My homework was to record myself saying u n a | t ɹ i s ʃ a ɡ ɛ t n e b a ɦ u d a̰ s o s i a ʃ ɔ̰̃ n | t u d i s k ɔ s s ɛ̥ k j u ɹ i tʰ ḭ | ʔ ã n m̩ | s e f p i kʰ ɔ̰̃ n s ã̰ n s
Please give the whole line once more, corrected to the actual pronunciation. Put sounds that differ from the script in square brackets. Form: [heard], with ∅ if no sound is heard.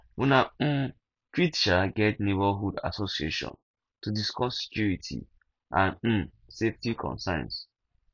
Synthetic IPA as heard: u n a | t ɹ i [t] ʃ a ɡ ɛ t n e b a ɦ u d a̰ s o s i [e] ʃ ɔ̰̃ n | t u d i s k ɔ s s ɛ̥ k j u ɹ i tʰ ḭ | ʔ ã n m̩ | s e f [t] i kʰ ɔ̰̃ n s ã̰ n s